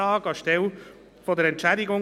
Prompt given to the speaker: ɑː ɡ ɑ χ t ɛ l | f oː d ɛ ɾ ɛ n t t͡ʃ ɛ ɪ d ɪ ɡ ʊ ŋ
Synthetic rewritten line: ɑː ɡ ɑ ʃ t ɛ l | f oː d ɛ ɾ ɛ n t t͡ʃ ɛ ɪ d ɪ ɡ ʊ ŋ